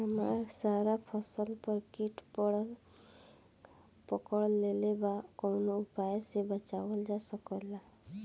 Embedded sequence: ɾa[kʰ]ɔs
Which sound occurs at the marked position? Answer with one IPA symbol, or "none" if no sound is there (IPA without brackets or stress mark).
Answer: pʰ